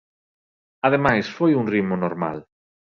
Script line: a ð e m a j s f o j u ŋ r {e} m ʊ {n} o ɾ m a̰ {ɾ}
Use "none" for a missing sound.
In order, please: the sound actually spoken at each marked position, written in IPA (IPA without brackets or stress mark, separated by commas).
i, n, l